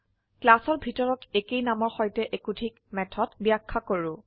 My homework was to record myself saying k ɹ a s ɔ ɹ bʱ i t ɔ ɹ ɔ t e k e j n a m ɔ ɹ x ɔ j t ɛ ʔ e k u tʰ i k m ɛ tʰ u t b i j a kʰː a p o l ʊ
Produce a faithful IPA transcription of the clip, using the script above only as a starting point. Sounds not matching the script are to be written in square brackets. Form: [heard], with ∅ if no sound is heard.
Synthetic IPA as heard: k [l] a s ɔ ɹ bʱ i t ɔ ɹ ɔ t e k e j n a m ɔ ɹ x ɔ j t ɛ ʔ e k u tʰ i k m ɛ tʰ [ɔ] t b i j a kʰː a [k] o [ɹ] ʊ